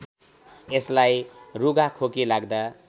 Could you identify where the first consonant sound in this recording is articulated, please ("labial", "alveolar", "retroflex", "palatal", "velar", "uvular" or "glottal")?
alveolar